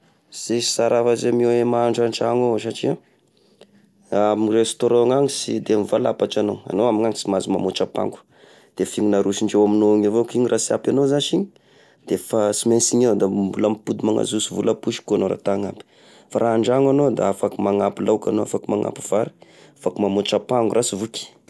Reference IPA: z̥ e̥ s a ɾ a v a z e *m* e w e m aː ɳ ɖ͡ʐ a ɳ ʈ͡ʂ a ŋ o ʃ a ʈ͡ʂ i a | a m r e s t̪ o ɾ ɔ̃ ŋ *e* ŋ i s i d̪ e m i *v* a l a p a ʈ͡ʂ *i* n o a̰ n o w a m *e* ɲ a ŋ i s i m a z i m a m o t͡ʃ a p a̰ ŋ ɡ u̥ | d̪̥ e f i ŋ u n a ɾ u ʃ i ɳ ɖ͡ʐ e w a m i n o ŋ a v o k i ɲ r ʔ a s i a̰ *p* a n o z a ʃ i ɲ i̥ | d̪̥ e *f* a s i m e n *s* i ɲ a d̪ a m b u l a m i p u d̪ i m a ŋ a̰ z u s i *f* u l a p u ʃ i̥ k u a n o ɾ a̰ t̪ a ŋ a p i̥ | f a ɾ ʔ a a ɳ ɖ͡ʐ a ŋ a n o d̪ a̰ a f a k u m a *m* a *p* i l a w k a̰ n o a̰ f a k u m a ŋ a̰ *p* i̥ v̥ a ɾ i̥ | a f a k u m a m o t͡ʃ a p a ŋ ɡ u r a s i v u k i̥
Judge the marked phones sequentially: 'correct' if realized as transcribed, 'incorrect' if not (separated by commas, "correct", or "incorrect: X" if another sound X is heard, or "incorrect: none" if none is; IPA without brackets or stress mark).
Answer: correct, incorrect: a, correct, incorrect: a, incorrect: i, correct, correct, correct, incorrect: v, incorrect: ŋ, correct, correct